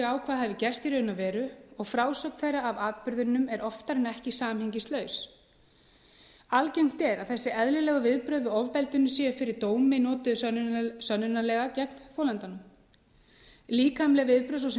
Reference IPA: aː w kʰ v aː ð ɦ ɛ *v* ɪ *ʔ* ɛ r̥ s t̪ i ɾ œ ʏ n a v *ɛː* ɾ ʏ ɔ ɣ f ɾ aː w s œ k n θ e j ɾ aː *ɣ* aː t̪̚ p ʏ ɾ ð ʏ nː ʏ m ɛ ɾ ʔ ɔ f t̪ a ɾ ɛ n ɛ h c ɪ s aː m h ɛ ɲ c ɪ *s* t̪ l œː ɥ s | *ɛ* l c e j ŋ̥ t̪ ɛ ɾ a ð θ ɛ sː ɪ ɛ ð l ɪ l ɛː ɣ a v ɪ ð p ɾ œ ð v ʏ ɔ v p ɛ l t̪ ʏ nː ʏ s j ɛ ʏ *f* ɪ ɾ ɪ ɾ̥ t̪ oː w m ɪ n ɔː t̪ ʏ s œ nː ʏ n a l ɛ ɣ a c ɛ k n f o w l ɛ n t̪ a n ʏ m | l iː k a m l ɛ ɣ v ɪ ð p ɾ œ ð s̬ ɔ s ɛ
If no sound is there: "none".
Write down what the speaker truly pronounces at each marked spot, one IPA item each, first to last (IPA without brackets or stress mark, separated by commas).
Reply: v, c, ɛː, v, s, a, f